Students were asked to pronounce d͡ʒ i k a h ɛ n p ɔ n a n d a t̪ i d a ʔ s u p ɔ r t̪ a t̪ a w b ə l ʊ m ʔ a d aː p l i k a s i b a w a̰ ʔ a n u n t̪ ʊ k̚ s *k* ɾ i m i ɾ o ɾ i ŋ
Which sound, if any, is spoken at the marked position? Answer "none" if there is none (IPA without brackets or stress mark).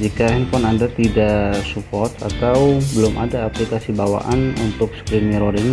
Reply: k